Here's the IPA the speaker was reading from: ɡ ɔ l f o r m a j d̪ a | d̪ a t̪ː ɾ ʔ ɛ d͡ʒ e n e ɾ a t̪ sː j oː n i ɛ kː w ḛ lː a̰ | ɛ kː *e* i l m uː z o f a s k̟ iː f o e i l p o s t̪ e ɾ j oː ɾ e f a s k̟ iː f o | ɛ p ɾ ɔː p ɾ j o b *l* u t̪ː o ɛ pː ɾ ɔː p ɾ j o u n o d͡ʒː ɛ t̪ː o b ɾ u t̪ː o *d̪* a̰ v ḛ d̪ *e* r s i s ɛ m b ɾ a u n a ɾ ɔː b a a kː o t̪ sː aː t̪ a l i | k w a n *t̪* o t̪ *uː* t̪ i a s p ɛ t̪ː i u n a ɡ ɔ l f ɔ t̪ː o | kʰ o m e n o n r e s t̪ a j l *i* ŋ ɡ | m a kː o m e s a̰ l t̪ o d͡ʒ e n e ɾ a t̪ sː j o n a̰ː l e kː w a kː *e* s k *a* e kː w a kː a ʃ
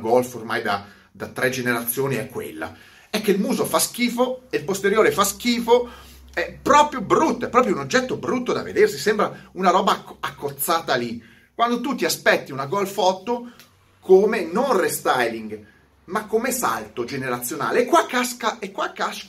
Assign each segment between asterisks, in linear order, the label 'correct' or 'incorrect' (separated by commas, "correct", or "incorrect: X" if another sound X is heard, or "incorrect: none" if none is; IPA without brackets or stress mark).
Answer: correct, incorrect: ɾ, correct, correct, incorrect: d̪, incorrect: u, correct, incorrect: a, correct